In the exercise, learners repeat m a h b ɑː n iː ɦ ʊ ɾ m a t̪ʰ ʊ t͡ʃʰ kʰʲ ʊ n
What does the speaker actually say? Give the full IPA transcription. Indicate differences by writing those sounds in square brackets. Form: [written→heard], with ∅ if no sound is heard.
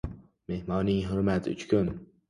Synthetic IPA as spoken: m [a→e] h [b→m] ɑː n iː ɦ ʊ ɾ m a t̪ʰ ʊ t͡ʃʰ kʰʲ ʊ n